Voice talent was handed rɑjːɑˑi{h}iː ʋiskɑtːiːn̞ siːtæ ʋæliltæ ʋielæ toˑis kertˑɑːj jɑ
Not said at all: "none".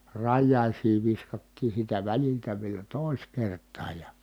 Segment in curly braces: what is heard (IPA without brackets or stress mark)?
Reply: s